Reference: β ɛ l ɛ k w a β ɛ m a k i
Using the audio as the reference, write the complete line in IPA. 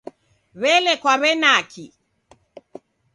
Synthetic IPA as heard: β ɛ l ɛ k w a β ɛ n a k i